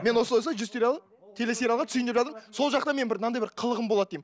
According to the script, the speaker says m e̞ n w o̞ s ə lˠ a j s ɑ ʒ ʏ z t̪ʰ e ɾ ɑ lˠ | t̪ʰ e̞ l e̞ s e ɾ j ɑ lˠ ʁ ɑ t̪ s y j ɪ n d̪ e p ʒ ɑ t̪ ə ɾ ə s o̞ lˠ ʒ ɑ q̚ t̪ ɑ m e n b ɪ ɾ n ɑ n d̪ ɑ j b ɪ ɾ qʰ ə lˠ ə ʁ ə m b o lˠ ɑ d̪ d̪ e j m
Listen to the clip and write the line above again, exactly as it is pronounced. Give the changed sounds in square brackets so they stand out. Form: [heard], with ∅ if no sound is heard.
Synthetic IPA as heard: m e̞ n w o̞ s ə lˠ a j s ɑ ʒ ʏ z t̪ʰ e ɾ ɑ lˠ | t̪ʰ e̞ l e̞ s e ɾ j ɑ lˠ ʁ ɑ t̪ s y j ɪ n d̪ e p ʒ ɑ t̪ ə ɾ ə s o̞ lˠ ʒ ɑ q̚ t̪ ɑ m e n b ɪ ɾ n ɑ n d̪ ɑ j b ɪ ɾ qʰ ə lˠ ə ʁ ə m b o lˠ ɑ d̪ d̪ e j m